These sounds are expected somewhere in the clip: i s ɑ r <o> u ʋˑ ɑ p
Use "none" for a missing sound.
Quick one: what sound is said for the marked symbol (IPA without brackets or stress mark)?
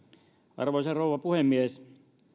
o